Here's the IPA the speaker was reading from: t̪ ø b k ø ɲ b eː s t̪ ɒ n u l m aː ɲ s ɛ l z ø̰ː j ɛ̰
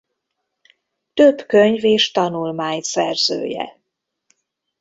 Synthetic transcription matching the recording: t̪ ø b k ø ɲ v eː ʃ t̪ ɒ n u l m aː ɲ s ɛ r z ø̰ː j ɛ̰